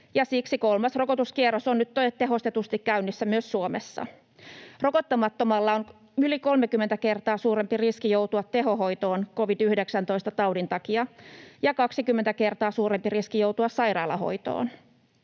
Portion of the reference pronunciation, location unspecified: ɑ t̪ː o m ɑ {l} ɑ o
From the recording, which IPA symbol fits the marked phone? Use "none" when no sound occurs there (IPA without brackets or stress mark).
lː